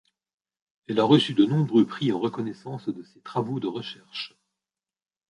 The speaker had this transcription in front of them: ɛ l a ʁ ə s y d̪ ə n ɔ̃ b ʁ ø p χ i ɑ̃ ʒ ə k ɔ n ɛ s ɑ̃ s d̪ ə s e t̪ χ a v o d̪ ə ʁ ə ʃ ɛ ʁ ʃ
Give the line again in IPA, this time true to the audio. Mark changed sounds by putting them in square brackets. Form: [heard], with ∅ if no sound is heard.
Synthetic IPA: ɛ l a ʁ ə s y d̪ ə n ɔ̃ b ʁ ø p χ i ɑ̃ [ʁ] ə k ɔ n ɛ s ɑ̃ s d̪ ə s e t̪ χ a v o d̪ ə ʁ ə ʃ ɛ ʁ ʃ